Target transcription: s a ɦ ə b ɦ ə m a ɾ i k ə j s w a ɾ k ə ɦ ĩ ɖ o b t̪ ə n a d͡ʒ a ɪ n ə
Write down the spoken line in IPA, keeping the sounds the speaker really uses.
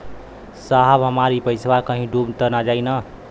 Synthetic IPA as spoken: s a ɦ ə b ɦ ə m a ɾ i p ə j s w a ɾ k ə ɦ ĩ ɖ u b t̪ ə n a d͡ʒ a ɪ n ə